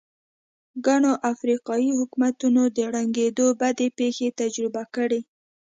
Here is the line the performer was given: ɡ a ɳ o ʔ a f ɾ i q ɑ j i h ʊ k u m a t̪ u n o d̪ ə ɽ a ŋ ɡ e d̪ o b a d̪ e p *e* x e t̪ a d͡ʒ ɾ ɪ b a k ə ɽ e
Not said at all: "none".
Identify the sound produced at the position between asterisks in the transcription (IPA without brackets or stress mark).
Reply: e